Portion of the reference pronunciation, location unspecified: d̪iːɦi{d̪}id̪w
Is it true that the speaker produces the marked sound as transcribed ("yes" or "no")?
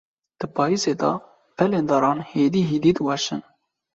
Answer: yes